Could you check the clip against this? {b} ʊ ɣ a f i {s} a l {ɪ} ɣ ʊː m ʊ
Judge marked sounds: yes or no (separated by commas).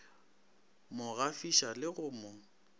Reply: no, no, yes